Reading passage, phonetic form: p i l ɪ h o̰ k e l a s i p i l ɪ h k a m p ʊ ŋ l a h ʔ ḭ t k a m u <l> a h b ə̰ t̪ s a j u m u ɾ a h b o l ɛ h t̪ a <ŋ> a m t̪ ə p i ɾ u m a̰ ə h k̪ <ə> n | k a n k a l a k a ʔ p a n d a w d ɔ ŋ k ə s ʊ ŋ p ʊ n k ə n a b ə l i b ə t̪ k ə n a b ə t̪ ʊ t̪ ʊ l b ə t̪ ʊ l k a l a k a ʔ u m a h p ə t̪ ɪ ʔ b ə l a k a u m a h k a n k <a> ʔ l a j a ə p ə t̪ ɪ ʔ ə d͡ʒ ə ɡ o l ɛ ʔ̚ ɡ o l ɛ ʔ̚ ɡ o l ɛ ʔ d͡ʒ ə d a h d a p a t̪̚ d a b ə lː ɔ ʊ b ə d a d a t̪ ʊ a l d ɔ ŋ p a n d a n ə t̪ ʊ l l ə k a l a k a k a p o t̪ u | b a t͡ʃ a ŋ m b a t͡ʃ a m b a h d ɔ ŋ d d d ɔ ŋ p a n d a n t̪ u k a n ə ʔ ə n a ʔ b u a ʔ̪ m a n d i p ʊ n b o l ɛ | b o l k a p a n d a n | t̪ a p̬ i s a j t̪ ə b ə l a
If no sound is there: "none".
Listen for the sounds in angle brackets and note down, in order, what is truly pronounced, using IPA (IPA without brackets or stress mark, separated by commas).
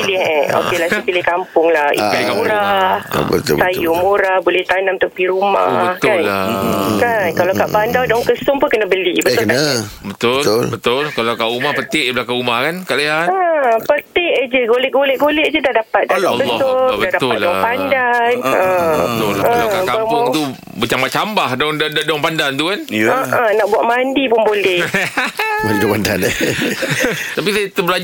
ɾ, n, a, a